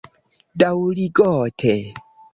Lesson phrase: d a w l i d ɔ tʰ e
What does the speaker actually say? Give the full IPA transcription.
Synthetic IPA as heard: d a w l i ɡ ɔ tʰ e